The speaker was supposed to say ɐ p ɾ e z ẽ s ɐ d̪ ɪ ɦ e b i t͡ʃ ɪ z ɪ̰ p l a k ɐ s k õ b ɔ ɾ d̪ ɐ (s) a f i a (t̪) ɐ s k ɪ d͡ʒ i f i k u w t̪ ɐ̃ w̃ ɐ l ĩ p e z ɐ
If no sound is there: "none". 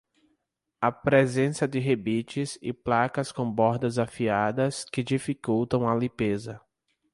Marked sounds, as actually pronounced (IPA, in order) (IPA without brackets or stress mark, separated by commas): z, d̪